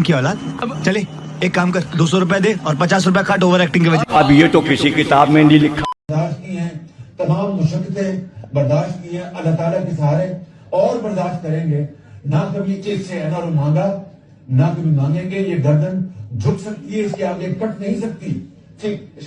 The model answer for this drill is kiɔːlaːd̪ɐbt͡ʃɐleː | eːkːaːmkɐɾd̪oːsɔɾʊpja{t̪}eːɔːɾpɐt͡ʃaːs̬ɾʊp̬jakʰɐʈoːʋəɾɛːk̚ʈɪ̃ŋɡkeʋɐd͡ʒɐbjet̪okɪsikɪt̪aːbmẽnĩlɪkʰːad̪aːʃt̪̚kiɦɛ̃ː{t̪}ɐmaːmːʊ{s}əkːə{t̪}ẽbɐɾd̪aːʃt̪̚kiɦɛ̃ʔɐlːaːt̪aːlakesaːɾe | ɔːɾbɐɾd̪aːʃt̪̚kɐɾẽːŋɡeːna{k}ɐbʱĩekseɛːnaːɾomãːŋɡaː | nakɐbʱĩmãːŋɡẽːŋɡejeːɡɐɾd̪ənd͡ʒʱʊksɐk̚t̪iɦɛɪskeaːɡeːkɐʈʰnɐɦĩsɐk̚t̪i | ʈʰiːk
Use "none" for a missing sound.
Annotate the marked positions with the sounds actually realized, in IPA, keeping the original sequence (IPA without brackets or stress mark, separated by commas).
d̪, t̪, ʃ, t̪, k